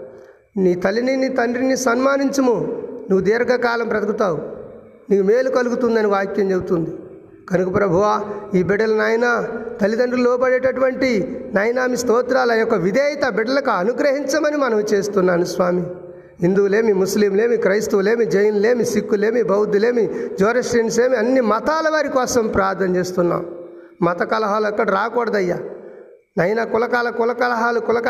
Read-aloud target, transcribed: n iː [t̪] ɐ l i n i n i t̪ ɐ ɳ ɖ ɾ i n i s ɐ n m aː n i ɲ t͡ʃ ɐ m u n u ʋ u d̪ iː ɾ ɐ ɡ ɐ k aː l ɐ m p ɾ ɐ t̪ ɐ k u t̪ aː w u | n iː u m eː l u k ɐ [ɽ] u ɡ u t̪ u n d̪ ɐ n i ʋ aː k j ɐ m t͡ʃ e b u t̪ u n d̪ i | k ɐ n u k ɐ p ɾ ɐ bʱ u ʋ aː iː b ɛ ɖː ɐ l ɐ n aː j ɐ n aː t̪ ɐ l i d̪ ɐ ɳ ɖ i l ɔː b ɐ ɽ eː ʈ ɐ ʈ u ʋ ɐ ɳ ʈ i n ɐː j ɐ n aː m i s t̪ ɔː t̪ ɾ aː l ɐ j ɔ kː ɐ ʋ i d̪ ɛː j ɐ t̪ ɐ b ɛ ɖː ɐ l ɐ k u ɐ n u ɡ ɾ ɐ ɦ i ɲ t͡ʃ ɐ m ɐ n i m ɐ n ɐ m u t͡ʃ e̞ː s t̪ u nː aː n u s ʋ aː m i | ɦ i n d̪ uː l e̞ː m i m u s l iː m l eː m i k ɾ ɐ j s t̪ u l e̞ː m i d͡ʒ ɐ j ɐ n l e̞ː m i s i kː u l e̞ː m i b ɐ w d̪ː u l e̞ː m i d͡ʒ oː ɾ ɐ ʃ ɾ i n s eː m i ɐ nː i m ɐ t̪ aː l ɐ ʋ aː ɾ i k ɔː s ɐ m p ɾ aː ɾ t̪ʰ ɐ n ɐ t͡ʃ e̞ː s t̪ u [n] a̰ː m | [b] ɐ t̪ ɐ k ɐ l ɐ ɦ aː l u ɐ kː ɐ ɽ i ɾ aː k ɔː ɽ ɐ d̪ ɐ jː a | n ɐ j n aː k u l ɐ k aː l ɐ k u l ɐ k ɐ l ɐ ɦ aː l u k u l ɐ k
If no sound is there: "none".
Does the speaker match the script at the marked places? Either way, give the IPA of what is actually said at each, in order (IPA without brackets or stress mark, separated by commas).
t̪, l, nː, m